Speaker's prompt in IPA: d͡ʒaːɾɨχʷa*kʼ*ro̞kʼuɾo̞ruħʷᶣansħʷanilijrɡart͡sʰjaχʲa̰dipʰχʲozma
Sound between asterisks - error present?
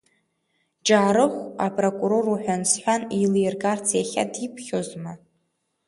yes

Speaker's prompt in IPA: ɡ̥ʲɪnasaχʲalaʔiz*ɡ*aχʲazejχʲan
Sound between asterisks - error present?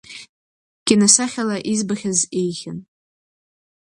yes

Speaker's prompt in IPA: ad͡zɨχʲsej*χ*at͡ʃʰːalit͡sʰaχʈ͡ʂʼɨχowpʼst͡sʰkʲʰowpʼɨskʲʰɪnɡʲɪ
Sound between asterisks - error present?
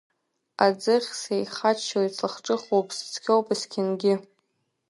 no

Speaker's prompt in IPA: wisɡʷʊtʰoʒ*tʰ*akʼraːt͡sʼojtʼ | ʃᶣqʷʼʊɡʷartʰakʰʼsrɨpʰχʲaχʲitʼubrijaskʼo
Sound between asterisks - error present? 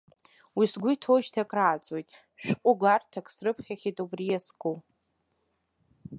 no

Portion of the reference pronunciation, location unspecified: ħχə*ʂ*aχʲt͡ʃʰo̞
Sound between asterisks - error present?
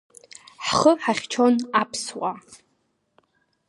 yes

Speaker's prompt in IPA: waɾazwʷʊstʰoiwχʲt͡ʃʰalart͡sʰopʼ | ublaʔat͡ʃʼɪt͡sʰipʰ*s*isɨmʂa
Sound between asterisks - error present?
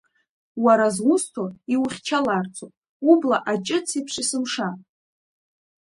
yes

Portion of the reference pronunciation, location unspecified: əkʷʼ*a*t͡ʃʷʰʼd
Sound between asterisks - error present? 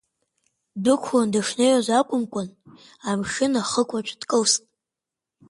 no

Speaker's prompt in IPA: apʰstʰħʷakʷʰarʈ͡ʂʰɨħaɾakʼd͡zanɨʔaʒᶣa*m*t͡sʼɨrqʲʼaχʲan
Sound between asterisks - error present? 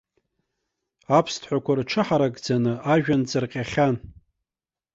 yes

